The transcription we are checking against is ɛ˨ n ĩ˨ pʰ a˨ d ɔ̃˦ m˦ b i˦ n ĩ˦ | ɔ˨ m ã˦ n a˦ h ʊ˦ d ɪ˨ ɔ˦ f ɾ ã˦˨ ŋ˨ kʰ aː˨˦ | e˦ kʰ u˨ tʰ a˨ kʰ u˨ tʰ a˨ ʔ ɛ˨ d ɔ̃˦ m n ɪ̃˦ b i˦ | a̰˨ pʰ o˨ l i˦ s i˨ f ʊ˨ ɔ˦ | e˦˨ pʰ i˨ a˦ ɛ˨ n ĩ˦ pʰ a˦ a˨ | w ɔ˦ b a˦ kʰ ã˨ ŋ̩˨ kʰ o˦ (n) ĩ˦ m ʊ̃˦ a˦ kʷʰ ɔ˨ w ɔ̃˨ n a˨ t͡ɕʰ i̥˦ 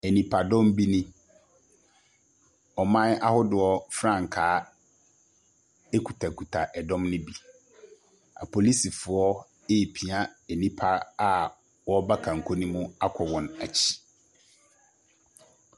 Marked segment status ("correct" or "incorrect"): correct